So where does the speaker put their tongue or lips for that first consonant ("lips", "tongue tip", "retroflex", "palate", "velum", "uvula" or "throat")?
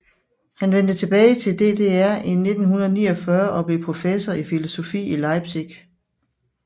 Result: throat